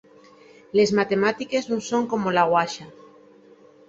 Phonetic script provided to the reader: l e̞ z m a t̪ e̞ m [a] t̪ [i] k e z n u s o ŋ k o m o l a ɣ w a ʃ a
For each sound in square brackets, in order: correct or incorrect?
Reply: correct, correct

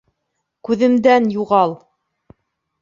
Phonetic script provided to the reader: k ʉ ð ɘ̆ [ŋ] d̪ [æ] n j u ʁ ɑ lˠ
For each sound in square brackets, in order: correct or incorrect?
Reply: incorrect, correct

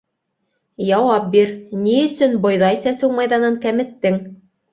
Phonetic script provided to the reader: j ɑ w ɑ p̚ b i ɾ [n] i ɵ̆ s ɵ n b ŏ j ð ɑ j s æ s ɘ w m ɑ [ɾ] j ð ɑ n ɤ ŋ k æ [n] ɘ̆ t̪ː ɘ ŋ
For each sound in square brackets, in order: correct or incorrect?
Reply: correct, incorrect, incorrect

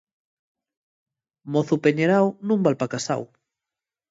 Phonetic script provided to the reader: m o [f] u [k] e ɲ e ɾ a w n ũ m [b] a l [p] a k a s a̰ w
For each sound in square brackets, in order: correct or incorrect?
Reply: incorrect, incorrect, correct, correct

